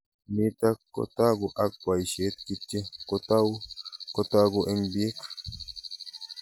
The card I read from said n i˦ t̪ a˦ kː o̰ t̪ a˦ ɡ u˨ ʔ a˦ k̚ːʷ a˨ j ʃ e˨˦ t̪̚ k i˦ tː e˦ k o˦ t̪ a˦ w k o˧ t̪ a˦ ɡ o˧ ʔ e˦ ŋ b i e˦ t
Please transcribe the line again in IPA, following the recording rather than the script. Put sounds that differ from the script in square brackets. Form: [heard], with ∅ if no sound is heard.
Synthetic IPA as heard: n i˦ t̪ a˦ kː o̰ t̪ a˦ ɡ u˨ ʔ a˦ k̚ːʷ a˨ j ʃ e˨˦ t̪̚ k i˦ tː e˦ k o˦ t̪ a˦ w k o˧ t̪ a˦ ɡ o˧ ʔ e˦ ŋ b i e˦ [k]